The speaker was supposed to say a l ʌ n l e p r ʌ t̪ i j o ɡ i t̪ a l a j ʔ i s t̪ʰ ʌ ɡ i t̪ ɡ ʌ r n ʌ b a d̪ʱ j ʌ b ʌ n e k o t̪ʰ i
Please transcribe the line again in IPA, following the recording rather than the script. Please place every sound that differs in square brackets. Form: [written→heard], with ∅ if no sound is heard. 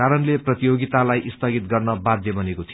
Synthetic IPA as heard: a [l→ɾ] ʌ n l e p r ʌ t̪ i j o ɡ i t̪ a l a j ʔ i s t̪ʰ ʌ ɡ i t̪ ɡ ʌ r n ʌ b a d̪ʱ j ʌ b ʌ n e k o t̪ʰ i

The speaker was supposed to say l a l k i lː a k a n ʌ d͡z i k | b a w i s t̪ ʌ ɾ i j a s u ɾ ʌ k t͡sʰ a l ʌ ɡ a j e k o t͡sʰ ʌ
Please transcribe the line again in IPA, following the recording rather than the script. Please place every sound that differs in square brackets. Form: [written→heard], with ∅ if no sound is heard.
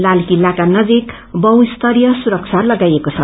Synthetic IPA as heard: l a l k i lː a k a n ʌ d͡z i k | b [a→ʌ] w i s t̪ ʌ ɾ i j [a→ʌ] s u ɾ ʌ k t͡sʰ a l ʌ ɡ a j e k o t͡sʰ ʌ

